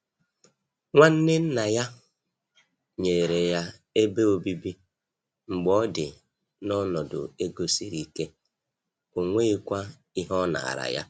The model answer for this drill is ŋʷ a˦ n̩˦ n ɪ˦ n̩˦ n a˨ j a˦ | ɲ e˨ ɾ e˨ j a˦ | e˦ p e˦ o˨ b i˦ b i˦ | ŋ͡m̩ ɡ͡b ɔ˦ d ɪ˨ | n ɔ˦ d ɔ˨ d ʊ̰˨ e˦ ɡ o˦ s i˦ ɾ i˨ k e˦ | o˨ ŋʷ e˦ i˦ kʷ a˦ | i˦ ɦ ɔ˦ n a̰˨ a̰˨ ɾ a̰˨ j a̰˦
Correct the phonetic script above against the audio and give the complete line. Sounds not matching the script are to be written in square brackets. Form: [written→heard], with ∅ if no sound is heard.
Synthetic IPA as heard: ŋʷ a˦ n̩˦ n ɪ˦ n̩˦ n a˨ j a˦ | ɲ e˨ ɾ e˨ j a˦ | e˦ [p→b] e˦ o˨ b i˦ b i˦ | ŋ͡m̩ ɡ͡b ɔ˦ d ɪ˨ | n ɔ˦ [d→n] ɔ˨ d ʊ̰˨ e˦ ɡ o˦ s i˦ ɾ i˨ k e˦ | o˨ ŋʷ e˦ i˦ kʷ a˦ | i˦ ɦ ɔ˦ n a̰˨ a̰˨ ɾ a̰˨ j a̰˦